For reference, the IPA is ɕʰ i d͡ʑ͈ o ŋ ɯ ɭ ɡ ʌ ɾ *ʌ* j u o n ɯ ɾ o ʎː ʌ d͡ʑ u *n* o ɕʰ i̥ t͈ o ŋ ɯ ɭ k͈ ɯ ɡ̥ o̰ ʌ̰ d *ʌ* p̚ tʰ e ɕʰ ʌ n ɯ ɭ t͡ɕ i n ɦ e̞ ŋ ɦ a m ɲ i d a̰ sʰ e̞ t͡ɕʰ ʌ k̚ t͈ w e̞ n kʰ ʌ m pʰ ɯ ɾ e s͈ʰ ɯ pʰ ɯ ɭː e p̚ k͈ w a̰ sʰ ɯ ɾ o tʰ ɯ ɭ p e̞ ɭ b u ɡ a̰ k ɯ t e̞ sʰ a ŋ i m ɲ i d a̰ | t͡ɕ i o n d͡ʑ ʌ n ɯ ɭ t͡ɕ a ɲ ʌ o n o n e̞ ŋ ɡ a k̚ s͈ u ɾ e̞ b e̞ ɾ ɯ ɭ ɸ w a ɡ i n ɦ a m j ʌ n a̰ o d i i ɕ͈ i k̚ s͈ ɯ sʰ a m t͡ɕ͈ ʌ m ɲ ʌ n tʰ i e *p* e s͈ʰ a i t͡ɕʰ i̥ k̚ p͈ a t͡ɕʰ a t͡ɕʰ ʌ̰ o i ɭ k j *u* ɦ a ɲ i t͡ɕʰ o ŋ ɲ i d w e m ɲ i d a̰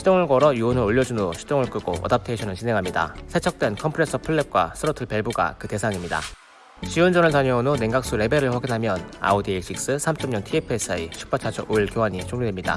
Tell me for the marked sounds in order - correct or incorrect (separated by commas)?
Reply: correct, correct, incorrect, incorrect, incorrect